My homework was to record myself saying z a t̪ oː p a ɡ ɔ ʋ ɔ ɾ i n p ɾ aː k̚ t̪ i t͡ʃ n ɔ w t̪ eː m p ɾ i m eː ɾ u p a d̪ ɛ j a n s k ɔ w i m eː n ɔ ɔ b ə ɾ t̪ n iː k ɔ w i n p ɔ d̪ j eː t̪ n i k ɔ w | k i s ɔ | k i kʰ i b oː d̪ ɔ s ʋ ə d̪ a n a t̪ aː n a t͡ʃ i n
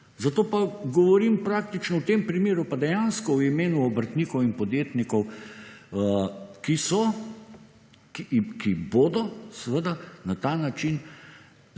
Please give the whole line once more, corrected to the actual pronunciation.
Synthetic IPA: z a t̪ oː p a ɡ ɔ ʋ ɔ ɾ i m p ɾ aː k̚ t̪ i t͡ʃ n ɔ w t̪ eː m p ɾ i m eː ɾ u p a d̪ ɛ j a n s k ɔ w i m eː n u ɔ b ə ɾ t̪ n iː k ɔ w i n p ɔ d̪ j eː t̪ n i k ɔ w | k i s ɔ | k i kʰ i b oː d̪ ɔ s ʋ ə d̪ a n a t̪ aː n a t͡ʃ i n